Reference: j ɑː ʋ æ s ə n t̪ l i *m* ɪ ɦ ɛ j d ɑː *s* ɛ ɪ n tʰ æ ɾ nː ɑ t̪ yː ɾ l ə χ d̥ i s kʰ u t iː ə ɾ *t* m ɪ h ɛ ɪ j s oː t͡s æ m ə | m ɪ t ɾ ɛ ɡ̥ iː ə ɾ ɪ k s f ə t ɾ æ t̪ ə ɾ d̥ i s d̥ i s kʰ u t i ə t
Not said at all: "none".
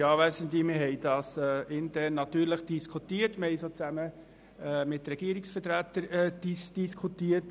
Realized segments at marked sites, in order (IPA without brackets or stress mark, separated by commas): m, s, t